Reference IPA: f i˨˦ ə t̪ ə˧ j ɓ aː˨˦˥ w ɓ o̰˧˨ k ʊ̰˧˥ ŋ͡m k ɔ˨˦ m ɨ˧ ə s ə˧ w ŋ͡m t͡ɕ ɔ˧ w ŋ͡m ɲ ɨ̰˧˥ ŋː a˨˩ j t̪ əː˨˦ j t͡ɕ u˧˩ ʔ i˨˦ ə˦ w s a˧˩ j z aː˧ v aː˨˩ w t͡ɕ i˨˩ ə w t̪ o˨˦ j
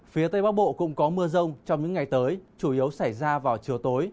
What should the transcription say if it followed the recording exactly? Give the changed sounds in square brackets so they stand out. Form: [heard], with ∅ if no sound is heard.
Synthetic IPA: f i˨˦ ə t̪ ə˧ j ɓ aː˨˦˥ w ɓ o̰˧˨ k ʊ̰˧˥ ŋ͡m k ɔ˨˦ m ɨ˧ ə [z] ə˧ w ŋ͡m t͡ɕ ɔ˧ w ŋ͡m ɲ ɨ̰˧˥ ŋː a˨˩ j t̪ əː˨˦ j t͡ɕ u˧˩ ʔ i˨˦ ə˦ w s a˧˩ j z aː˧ v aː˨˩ w t͡ɕ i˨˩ ə w t̪ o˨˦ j